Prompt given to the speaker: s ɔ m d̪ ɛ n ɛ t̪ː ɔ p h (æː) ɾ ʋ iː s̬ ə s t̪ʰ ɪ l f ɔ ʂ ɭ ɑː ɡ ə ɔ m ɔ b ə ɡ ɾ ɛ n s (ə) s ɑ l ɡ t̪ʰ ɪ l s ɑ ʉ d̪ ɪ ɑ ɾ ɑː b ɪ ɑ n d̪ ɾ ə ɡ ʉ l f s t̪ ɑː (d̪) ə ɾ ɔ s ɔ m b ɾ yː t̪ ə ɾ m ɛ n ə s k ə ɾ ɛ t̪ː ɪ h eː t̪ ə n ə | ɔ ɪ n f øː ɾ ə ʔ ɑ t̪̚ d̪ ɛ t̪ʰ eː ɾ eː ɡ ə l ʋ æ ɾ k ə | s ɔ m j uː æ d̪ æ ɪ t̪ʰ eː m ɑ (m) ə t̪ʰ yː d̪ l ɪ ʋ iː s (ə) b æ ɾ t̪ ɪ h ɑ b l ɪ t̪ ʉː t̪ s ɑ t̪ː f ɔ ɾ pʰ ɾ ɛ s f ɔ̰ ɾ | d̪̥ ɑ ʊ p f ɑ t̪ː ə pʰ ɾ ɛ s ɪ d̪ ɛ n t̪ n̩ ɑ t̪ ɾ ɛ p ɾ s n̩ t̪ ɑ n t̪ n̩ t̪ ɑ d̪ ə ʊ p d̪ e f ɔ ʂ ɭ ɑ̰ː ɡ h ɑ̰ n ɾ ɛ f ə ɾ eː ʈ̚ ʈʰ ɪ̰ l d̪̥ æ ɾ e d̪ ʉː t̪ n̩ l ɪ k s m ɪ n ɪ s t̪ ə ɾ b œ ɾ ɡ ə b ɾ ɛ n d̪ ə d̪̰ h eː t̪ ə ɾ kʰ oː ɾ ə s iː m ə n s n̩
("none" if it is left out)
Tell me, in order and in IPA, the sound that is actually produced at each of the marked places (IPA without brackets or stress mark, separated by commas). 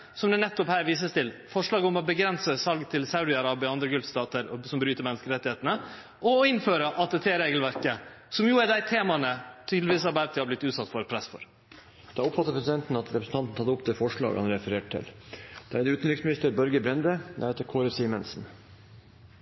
æː, ə, t̪, n, ɑ